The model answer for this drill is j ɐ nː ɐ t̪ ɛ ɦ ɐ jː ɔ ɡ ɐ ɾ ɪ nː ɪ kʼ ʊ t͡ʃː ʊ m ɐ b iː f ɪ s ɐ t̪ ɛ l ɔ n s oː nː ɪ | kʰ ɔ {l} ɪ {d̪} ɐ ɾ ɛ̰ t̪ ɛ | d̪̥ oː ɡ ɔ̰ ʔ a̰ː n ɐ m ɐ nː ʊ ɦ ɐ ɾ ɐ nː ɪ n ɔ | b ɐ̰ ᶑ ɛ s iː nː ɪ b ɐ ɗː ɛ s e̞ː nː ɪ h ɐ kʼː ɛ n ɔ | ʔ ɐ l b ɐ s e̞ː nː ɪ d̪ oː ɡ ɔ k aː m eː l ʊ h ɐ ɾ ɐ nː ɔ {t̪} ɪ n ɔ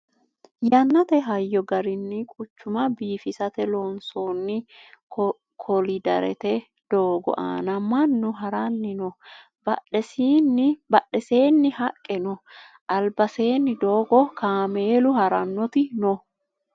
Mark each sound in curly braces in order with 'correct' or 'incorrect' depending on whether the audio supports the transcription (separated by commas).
correct, correct, correct